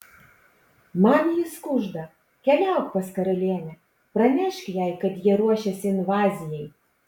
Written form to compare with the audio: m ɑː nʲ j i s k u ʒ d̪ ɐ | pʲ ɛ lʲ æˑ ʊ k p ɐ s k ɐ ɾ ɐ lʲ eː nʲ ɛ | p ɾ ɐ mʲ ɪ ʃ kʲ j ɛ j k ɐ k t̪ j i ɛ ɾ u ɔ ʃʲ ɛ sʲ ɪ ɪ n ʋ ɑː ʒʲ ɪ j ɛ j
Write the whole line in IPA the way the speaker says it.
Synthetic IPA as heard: m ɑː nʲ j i s k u ʒ d̪ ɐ | kʲ ɛ lʲ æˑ ʊ k p ɐ s k ɐ ɾ ɐ lʲ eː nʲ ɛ | p ɾ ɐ mʲ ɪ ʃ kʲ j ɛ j k ɐ t̪ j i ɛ ɾ u ɔ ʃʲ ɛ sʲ ɪ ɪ n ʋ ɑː zʲ ɪ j ɛ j